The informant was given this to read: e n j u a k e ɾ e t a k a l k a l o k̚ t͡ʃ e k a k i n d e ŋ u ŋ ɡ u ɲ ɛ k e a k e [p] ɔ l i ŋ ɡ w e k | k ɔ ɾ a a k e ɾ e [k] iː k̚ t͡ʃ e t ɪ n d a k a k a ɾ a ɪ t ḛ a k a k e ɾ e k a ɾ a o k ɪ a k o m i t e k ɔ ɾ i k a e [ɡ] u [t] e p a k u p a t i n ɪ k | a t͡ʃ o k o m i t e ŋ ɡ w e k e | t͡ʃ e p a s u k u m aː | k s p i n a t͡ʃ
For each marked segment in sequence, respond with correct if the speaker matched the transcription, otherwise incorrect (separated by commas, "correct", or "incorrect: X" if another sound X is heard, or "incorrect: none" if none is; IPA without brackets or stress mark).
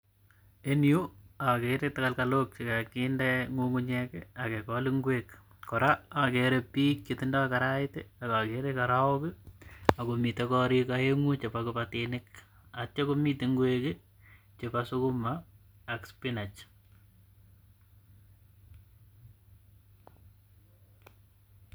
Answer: incorrect: k, incorrect: p, incorrect: ŋ, incorrect: t͡ʃ